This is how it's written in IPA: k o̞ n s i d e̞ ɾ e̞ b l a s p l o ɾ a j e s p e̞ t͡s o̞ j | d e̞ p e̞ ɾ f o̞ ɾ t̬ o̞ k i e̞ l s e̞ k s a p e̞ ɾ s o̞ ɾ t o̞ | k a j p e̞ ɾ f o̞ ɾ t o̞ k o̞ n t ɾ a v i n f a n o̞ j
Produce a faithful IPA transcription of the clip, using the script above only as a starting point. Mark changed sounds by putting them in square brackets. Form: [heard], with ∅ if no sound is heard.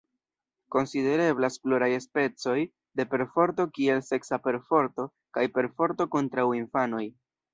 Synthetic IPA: k o̞ n s i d e̞ ɾ e̞ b l a s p l o ɾ a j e s p e̞ t͡s o̞ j | d e̞ p e̞ ɾ f o̞ ɾ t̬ o̞ k i e̞ l s e̞ k s a p e̞ ɾ [f] o̞ ɾ t o̞ | k a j p e̞ ɾ f o̞ ɾ t o̞ k o̞ n t ɾ a [w] i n f a n o̞ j